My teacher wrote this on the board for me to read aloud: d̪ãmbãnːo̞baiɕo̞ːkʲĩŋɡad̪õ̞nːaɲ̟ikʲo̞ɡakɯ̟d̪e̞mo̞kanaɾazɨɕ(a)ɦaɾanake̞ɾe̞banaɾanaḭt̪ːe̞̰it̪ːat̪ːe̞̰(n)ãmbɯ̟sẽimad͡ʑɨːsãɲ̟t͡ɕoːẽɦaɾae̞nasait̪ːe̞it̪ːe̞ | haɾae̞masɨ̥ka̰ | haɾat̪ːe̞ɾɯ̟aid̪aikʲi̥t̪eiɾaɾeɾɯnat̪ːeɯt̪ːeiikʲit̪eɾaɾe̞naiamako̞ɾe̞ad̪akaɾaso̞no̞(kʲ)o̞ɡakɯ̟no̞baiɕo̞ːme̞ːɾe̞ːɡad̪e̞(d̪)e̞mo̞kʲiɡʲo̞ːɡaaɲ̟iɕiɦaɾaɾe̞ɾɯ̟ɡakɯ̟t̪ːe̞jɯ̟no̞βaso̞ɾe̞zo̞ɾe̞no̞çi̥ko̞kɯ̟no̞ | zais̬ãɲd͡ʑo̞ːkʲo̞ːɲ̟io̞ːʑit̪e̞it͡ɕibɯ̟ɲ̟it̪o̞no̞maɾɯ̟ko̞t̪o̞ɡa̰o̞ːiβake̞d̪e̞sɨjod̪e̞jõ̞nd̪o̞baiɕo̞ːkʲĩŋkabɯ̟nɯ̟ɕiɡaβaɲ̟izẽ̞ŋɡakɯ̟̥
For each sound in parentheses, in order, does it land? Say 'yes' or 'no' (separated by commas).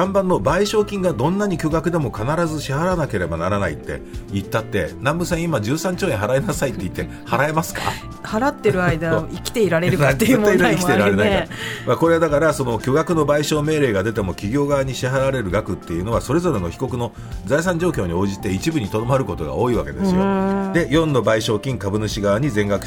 no, yes, yes, no